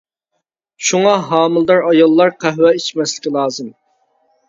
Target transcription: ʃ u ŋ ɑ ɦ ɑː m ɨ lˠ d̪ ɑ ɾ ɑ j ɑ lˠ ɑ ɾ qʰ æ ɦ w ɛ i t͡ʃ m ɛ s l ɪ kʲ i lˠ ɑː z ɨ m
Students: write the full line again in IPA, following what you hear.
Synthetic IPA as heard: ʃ u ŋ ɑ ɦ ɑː m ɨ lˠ d̪ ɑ ɾ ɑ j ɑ lˠː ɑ ɾ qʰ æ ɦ w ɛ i t͡ʃ m ɛ s l ɪ kʲ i lˠ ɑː z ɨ m

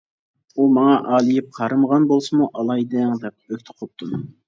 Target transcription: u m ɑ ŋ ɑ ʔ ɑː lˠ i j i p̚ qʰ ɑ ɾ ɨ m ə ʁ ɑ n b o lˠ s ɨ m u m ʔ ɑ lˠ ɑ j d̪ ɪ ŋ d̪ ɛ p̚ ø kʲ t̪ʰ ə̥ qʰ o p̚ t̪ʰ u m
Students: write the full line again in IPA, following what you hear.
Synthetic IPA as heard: u m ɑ ŋ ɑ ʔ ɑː lˠ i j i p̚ qʰ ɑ ɾ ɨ m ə ʁ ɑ n b o lˠ s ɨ m u ʔ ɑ lˠ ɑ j d̪ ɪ ŋ d̪ ɛ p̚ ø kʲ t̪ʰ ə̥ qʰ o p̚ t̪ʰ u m

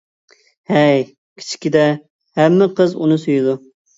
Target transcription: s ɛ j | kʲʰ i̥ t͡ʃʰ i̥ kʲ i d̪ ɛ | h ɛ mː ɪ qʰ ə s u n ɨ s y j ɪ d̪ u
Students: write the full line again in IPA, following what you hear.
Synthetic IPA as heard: h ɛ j | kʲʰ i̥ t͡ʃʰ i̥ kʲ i d̪ ɛ | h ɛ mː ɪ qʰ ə z u n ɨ s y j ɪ d̪ u

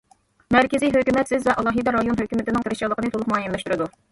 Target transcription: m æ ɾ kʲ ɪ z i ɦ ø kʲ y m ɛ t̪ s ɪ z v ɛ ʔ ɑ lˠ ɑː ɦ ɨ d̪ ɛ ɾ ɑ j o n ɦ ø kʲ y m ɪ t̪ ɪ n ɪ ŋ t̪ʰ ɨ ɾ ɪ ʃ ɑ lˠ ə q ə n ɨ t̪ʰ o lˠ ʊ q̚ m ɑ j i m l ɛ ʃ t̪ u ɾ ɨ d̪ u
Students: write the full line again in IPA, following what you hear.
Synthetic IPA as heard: m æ ɾ kʲ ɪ z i ɦ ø kʲ y m ɛ t̪ s ɪ z v ɛ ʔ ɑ lˠ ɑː ɦ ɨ d̪ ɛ ɾ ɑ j o n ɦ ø kʲ y m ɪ t̪ ɪ n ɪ ŋ t̪ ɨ ɾ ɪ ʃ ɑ lˠ ə q ə n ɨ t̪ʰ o lˠ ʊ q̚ m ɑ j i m l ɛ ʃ t̪ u ɾ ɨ d̪ u

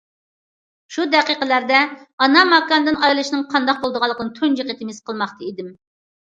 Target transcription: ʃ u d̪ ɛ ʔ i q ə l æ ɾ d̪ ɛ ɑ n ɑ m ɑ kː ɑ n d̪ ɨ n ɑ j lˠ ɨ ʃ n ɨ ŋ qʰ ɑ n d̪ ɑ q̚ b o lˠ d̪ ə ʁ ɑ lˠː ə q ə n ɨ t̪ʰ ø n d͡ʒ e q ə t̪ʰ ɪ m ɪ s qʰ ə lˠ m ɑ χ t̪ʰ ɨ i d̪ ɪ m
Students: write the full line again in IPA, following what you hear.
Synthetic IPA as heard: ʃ u d̪ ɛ q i q ə l æ ɾ d̪ ɛ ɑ n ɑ m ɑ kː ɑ n d̪ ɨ n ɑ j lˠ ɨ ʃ n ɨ ŋ qʰ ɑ n d̪ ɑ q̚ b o lˠ d̪ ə ʁ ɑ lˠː ə q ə n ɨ t̪ʰ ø n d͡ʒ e q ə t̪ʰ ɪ m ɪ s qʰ ə lˠ m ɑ χ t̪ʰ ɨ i d̪ ɪ m

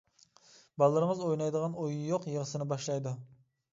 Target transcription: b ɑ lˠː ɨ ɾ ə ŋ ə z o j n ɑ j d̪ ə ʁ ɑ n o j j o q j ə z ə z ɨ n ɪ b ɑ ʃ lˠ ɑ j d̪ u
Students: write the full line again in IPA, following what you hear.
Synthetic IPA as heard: b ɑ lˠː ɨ ɾ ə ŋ ə z o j n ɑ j d̪ ə ʁ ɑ n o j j o q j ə ʁ ə s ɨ n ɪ b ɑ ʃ lˠ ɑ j d̪ u

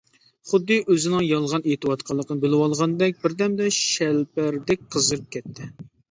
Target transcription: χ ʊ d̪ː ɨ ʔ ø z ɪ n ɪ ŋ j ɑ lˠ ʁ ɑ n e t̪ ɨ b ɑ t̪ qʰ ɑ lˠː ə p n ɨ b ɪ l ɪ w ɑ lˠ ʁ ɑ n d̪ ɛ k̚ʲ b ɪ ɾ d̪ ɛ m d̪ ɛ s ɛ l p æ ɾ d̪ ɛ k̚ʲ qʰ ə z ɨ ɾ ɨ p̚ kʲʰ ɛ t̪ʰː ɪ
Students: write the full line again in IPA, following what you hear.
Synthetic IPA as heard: χ ʊ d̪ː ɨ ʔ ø z ɪ n ɪ ŋ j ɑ lˠ ʁ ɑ n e t̪ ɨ w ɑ t̪ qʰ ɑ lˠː ə q n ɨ b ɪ l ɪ w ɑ lˠ ʁ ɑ n d̪ ɛ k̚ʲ b ɪ ɾ d̪ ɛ m d̪ ɛ ʃ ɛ l p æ ɾ d̪ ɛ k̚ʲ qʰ ə z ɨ ɾ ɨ p̚ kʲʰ ɛ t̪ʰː ɪ

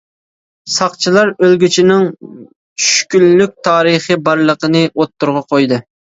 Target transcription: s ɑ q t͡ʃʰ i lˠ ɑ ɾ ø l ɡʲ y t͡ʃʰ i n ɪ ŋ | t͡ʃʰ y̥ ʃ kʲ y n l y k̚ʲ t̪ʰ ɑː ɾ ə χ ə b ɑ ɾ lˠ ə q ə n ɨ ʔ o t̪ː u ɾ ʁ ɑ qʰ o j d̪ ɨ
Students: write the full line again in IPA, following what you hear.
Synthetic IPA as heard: s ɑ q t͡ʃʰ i lˠ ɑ ɾ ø l ɡʲ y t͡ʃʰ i n ɪ ŋ | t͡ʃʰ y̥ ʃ kʲ y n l y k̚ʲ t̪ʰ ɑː ɾ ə χ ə b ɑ ɾ lˠ ə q ə n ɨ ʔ o t̪ː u ɾ ʁ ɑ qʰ o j d̪ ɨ

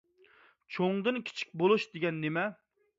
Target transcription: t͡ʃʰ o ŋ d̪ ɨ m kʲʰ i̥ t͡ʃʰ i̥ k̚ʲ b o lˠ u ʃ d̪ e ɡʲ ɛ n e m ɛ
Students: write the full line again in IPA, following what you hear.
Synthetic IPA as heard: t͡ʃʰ o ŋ d̪ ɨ n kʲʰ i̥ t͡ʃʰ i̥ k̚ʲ b o lˠ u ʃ d̪ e ɡʲ ɛ nː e m ɛ

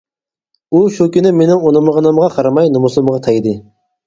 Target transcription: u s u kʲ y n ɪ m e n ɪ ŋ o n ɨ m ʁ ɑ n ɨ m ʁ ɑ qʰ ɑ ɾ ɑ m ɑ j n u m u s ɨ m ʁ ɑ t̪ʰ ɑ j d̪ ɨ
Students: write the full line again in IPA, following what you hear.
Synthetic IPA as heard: u ʃ u kʲ y n ɪ m e n ɪ ŋ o n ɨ m ʁ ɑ n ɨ m ʁ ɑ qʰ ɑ ɾ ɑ m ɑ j n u m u s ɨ m ʁ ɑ t̪ʰ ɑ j d̪ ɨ

